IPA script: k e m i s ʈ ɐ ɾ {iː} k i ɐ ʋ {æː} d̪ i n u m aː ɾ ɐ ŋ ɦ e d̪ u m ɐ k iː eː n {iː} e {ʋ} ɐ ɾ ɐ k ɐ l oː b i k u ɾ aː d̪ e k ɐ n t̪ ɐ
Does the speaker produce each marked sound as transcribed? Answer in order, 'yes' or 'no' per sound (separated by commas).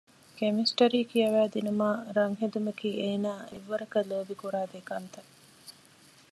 yes, yes, no, no